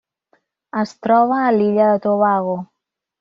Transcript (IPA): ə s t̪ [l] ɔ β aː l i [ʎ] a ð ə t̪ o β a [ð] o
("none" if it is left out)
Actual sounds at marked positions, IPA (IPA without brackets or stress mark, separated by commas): ɾ, ʎ, ɣ